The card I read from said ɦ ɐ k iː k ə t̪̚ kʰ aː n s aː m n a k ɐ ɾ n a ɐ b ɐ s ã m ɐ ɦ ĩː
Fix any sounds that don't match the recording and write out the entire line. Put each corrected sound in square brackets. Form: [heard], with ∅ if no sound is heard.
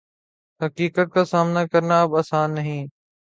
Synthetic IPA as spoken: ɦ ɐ k iː k ə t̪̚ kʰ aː [∅] s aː m n a k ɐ ɾ n a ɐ b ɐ s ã [n] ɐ ɦ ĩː

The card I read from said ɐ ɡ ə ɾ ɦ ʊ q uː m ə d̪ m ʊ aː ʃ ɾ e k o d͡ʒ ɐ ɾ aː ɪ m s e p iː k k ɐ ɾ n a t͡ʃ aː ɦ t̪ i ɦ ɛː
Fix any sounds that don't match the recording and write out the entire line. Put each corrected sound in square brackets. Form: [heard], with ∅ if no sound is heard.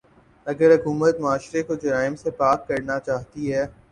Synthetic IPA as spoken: ɐ ɡ ə ɾ ɦ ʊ [k] uː m ə [t̪] m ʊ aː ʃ ɾ e k o d͡ʒ ɐ ɾ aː ɪ m s e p [aː] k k ɐ ɾ n a t͡ʃ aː ɦ t̪ i ɦ ɛː

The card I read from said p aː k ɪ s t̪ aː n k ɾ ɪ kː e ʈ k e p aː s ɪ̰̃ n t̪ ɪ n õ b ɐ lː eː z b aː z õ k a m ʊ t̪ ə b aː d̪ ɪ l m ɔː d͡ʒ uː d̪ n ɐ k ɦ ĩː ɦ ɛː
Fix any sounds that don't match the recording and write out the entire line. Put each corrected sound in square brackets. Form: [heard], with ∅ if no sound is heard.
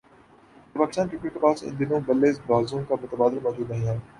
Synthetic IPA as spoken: p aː k ɪ s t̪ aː n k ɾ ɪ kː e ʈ k e p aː s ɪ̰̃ n [d̪] ɪ n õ b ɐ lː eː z b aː z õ k a m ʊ t̪ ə b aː d̪ ɪ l m ɔː d͡ʒ uː d̪ n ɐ [∅] ɦ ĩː ɦ ɛː

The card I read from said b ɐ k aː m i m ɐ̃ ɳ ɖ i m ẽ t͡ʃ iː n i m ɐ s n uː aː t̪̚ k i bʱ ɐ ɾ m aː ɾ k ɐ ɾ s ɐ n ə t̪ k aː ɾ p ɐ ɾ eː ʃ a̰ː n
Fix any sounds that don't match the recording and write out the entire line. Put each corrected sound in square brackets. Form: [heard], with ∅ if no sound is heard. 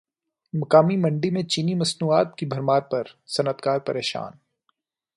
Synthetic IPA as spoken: [m] ɐ k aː m i m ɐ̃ ɳ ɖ i m ẽ t͡ʃ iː n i m ɐ s n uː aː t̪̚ k i bʱ ɐ ɾ m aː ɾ [p] ɐ ɾ s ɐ n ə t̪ k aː ɾ p ɐ ɾ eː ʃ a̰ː n

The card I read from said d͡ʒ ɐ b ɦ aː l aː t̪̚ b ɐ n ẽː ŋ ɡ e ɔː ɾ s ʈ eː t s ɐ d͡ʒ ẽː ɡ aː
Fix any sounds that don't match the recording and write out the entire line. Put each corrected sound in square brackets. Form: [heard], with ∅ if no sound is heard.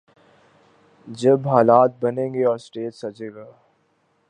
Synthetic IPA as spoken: d͡ʒ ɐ b ɦ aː l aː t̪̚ b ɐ n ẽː ŋ ɡ e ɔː ɾ s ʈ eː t s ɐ d͡ʒ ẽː ɡ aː

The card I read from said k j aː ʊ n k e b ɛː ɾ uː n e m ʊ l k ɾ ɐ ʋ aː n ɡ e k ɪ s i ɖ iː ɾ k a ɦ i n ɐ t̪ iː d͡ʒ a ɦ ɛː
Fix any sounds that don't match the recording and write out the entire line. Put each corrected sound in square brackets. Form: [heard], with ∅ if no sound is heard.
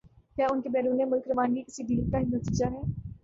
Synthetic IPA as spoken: k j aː ʊ n k e b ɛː ɾ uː n e m ʊ l k ɾ ɐ ʋ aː n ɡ [i] k ɪ s i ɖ iː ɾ k a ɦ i n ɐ t̪ iː d͡ʒ a ɦ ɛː

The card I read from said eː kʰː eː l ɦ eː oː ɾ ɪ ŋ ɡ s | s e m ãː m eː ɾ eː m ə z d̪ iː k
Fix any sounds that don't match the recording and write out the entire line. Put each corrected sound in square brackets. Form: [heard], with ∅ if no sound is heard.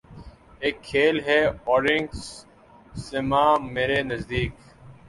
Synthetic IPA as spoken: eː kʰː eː l ɦ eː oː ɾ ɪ ŋ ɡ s | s e m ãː m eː ɾ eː [n] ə z d̪ iː k

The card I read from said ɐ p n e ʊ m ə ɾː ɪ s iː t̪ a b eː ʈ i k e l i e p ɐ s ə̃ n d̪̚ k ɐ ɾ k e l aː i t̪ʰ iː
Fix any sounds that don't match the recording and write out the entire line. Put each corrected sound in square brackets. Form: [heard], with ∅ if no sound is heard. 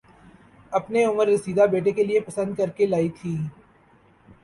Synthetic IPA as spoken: ɐ p n e ʊ m ə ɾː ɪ s iː [d̪] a b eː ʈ [e] k e l i e p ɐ s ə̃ n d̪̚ k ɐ ɾ k e l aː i t̪ʰ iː

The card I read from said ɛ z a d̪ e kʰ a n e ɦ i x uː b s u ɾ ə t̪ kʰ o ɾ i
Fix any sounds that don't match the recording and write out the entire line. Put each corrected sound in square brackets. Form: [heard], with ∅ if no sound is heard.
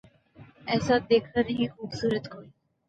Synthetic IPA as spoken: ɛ [s] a d̪ e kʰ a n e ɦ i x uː b s u ɾ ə t̪ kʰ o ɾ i

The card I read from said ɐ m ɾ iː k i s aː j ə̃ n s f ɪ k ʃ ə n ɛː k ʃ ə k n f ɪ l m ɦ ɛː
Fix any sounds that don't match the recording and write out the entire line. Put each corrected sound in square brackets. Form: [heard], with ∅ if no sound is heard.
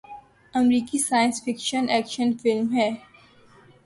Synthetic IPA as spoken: ɐ m ɾ iː k i s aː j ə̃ n s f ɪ k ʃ ə n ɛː k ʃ ə [∅] n f ɪ l m ɦ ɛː

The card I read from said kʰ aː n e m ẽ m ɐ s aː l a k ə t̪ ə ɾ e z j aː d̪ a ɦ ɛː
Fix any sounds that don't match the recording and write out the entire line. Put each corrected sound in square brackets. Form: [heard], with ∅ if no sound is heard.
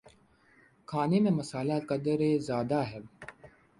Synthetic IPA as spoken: kʰ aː n e m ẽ m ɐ s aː l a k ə [d̪] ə ɾ e z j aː d̪ a ɦ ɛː

